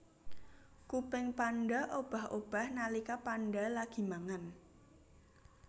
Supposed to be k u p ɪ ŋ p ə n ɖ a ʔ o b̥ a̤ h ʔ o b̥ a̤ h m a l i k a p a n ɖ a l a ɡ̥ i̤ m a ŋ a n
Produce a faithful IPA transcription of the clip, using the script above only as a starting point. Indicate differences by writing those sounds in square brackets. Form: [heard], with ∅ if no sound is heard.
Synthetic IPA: k u p ɪ ŋ p [a] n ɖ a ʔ o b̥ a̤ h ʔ o b̥ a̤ h [n] a l i k a p a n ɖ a l a ɡ̥ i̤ m a ŋ a n